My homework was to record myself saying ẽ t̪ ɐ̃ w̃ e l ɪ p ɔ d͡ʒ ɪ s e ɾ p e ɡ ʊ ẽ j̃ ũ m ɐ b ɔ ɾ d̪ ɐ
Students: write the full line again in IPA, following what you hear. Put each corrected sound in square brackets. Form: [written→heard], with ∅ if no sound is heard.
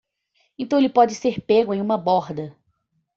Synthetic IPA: ẽ t̪ ɐ̃ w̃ e l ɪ p ɔ d͡ʒ ɪ s e ɾ p e ɡ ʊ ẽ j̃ ũ m ɐ b ɔ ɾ d̪ ɐ